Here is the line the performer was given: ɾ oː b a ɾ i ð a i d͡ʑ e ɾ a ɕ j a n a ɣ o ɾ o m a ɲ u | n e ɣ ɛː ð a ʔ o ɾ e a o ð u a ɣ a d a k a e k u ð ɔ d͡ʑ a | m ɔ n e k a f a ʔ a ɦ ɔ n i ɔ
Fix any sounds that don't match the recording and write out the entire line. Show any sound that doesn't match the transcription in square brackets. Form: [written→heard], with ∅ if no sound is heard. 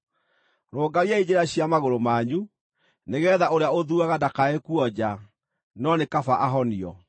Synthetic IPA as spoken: ɾ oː [b→ɡ] a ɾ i [ð→∅] a i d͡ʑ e ɾ a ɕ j a [n→m] a ɣ o ɾ o m a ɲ u | n e ɣ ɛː ð a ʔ o ɾ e a o ð u a ɣ a d a k a e k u [ð→∅] ɔ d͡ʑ a | [m→n] ɔ n e k a f a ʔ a ɦ ɔ n i ɔ